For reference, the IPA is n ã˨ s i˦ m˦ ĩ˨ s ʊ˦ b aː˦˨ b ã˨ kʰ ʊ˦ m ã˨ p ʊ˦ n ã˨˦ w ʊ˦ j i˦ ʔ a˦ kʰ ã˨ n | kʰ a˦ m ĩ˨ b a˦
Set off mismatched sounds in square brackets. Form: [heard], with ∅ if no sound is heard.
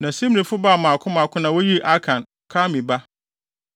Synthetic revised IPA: n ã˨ s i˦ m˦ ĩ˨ [f] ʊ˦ b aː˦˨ [m] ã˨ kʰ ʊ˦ m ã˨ [k] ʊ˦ n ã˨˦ w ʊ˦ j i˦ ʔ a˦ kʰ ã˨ n | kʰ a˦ m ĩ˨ b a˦

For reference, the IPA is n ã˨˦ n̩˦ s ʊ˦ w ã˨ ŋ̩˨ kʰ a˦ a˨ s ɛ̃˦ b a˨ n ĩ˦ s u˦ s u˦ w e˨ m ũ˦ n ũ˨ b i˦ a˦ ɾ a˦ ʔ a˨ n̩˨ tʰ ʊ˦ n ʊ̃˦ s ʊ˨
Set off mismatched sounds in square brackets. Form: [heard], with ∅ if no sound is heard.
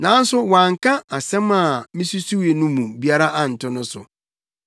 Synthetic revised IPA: n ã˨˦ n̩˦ s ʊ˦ w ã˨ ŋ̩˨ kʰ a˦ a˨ s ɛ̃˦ [m] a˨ [m] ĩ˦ s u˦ s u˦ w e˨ [n] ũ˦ [m] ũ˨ b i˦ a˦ ɾ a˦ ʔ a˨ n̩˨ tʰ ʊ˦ n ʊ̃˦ s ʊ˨

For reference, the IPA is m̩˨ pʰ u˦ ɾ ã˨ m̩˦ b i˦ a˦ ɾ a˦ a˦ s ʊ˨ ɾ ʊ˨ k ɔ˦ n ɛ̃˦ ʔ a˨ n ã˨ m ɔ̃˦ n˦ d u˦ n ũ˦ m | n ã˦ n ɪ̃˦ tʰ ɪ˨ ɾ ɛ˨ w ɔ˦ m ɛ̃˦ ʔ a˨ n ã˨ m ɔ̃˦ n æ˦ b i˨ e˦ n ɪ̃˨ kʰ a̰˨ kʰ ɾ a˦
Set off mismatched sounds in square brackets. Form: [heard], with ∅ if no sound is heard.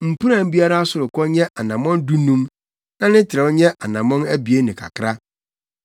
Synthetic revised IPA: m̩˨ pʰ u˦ ɾ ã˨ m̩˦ b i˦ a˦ ɾ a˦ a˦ s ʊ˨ ɾ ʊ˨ k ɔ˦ [ɲ] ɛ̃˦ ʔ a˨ n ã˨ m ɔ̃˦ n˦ d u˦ n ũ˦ m | n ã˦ n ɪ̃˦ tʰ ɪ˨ ɾ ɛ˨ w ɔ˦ [ɲ] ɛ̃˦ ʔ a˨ n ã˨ m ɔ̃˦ n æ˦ b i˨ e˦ n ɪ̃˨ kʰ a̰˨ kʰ ɾ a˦

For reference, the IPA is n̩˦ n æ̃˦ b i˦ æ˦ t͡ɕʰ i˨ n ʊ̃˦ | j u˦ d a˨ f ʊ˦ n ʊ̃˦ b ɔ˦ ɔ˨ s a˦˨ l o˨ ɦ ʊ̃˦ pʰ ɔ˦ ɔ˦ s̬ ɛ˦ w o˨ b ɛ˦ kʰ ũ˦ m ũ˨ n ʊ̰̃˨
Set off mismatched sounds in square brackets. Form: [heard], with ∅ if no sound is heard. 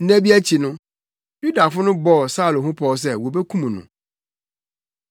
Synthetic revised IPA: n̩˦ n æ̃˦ b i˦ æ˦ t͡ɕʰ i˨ n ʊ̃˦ | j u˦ d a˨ f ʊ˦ n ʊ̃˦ b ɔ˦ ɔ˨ s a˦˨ l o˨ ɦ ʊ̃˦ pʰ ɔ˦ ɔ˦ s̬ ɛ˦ w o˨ b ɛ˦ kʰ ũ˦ m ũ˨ n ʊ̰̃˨

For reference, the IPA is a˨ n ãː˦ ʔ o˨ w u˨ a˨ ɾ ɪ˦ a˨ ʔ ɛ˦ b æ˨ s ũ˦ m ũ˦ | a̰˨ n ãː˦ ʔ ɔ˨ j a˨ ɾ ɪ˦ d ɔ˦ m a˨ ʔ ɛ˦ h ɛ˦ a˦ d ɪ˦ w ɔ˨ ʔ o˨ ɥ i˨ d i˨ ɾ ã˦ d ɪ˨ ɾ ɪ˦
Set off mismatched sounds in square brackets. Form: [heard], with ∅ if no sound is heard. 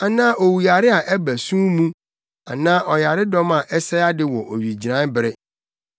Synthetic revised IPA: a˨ n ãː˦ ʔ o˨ w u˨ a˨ ɾ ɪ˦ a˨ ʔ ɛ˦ b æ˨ s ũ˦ m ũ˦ | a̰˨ n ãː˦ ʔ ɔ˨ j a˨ ɾ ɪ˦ d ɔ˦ m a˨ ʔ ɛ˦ [s] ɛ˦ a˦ d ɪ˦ w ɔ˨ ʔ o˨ ɥ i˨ [d͡ʑ] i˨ ɾ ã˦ [b] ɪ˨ ɾ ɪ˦

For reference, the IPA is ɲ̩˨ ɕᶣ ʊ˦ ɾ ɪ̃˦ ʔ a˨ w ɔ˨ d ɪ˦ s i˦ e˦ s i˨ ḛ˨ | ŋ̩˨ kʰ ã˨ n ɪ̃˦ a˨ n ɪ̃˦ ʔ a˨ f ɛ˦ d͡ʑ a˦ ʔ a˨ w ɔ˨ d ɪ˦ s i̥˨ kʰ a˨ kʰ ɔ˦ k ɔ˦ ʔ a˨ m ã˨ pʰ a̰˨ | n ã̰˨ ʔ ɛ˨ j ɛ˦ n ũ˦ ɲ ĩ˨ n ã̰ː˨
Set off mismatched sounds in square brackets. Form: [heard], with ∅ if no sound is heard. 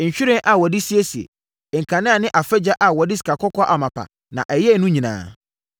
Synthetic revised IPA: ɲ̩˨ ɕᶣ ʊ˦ ɾ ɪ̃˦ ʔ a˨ w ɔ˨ d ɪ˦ s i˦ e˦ s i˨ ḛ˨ | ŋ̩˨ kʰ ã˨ n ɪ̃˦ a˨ n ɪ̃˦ ʔ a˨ f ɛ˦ d͡ʑ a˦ ʔ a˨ w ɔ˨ d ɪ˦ s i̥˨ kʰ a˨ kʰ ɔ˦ k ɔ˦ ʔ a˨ m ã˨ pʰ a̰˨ | n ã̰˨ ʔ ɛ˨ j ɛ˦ n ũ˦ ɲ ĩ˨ n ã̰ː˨

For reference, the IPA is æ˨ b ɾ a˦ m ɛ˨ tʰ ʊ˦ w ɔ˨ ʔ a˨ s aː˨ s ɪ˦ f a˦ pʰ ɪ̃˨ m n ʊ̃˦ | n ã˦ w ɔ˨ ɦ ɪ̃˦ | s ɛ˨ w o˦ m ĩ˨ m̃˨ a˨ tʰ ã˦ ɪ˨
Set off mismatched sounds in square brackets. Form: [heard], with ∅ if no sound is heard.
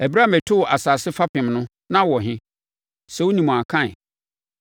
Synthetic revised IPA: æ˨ b ɾ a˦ m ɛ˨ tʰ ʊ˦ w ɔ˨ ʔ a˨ s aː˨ s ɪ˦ f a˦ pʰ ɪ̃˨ m n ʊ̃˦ | n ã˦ w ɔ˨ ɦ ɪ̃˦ | s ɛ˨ w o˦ [n] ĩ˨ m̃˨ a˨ [kʰ] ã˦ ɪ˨

